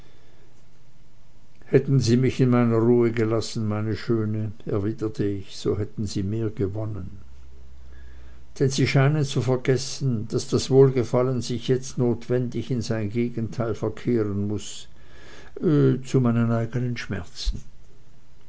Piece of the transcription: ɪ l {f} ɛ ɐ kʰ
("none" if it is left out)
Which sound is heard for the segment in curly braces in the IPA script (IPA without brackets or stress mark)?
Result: f